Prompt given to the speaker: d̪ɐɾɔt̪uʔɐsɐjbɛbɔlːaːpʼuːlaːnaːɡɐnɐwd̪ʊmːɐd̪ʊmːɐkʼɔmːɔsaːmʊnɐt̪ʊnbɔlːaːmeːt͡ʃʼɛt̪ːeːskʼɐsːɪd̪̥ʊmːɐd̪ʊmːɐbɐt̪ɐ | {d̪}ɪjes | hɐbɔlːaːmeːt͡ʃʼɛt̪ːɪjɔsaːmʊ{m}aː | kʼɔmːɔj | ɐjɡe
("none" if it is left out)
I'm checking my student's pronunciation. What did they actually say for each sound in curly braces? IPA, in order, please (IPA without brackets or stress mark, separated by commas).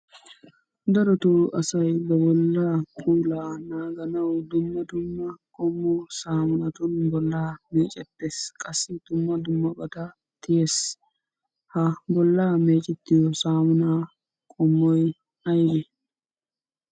t̪, n